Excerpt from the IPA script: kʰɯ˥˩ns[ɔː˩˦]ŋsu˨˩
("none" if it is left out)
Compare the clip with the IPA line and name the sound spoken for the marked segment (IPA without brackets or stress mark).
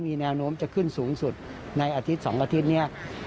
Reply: uː˩˦